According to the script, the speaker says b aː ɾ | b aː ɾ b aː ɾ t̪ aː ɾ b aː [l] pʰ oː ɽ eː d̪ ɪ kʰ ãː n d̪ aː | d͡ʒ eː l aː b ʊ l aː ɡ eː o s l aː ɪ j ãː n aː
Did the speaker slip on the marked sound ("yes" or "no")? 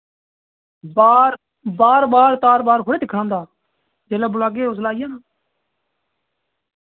yes